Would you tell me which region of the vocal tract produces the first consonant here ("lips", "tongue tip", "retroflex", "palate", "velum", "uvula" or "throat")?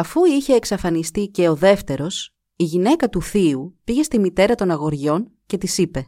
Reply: lips